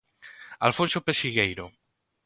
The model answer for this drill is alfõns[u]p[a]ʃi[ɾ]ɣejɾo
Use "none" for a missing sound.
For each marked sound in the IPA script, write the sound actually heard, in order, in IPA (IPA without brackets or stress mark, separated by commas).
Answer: o, e, none